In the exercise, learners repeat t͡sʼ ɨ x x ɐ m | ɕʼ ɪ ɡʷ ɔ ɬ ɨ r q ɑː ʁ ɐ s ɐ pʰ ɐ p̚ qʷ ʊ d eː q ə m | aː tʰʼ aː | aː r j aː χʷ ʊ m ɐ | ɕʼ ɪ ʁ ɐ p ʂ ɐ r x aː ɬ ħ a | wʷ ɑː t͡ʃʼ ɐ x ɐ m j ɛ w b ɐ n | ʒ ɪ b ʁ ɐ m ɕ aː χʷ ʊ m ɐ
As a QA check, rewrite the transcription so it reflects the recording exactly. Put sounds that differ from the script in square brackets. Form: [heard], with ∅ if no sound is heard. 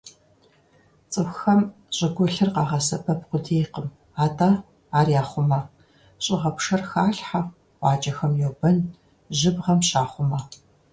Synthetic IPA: t͡sʼ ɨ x x ɐ m | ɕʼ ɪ ɡʷ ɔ ɬ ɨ r q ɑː ʁ ɐ s ɐ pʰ ɐ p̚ qʷ ʊ d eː q ə m | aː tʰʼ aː | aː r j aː χʷ ʊ m ɐ | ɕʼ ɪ ʁ ɐ p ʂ ɐ r x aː ɬ ħ a | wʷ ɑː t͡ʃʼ ɐ x ɐ m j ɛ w b ɐ n | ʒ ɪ b ʁ ɐ m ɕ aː χʷ ʊ m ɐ

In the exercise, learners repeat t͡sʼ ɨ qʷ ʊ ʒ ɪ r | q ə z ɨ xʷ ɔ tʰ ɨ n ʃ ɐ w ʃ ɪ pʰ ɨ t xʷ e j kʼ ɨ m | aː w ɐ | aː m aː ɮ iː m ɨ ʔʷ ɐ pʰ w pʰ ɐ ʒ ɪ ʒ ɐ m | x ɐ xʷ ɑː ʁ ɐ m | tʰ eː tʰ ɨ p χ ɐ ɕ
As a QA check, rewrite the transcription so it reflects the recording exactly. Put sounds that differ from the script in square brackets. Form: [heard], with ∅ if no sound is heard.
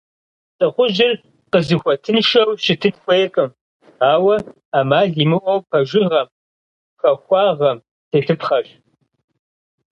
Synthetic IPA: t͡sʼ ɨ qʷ ʊ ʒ ɪ r | q ə z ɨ xʷ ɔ tʰ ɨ n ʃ ɐ w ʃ ɪ [tʰ] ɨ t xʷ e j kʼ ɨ m | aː w ɐ | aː m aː ɮ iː m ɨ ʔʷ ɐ [∅] w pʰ ɐ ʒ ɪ [ʁ] ɐ m | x ɐ xʷ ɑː ʁ ɐ m | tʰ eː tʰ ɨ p χ ɐ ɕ

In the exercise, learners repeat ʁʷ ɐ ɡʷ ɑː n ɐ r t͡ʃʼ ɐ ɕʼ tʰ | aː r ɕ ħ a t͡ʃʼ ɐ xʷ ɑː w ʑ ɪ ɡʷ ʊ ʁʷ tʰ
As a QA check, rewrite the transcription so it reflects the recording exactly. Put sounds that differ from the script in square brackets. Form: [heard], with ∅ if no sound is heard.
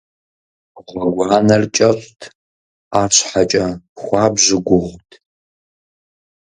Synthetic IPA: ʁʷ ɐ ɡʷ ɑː n ɐ r t͡ʃʼ ɐ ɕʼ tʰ | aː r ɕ ħ a t͡ʃʼ ɐ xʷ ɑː [b] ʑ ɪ ɡʷ ʊ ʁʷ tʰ

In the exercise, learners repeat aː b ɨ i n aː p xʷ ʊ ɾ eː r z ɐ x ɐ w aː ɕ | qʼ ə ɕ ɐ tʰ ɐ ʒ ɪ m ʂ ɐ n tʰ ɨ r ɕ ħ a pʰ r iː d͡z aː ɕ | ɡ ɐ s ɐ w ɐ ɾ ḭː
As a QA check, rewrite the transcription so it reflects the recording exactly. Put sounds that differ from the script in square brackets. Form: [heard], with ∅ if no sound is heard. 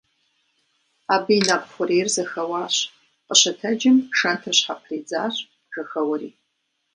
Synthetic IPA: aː b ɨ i n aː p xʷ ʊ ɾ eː r z ɐ x ɐ w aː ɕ | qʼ ə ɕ ɐ tʰ ɐ [d͡ʒ] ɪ m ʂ ɐ n tʰ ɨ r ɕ ħ a pʰ r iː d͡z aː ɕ | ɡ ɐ [x] ɐ w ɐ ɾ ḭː

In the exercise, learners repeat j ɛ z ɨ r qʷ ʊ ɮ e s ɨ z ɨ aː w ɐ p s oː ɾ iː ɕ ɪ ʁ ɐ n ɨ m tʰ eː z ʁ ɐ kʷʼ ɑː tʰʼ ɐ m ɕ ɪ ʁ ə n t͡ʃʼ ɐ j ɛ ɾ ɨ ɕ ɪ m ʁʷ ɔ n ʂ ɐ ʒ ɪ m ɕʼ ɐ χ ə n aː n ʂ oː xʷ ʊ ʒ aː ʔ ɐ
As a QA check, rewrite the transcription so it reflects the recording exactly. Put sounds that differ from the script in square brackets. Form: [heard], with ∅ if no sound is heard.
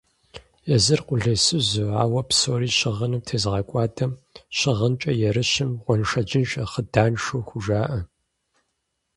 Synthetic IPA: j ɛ z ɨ r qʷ ʊ ɮ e s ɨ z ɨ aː w ɐ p s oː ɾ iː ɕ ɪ ʁ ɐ n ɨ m tʰ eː z ʁ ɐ kʷʼ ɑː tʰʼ ɐ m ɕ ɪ ʁ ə n t͡ʃʼ ɐ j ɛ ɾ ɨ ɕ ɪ m ʁʷ ɔ n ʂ ɐ [d͡ʒ] ɪ [n] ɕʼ ɐ χ ə [d] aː n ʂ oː xʷ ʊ ʒ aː ʔ ɐ

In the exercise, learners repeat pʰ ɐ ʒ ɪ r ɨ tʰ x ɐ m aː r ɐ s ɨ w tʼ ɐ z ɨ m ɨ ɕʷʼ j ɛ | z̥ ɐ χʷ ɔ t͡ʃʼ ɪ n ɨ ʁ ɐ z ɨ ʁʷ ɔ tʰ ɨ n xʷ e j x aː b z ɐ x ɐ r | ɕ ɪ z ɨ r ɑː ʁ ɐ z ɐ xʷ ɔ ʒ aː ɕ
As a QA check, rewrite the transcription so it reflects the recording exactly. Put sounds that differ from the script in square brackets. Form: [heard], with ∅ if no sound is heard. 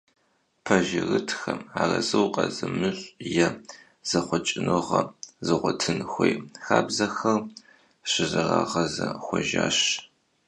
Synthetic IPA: pʰ ɐ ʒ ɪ r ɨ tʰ x ɐ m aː r ɐ [z] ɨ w [qʼ] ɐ z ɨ m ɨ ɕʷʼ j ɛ | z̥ ɐ χʷ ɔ t͡ʃʼ ɪ n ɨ ʁ ɐ z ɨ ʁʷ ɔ tʰ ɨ n xʷ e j x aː b z ɐ x ɐ r | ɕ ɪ z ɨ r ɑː ʁ ɐ z ɐ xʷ ɔ ʒ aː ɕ

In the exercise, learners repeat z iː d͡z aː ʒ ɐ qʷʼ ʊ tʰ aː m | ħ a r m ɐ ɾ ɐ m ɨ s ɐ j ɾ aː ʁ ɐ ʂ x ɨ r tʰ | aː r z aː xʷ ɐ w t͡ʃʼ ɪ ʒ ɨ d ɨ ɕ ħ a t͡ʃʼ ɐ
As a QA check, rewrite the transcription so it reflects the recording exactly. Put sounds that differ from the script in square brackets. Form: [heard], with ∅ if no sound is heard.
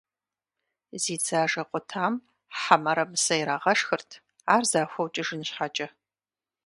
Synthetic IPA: z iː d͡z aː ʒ ɐ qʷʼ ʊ tʰ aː m | ħ a [∅] m ɐ ɾ ɐ m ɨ s ɐ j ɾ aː ʁ ɐ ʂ x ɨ r tʰ | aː r z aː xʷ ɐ w t͡ʃʼ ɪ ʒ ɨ [n] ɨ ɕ ħ a t͡ʃʼ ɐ

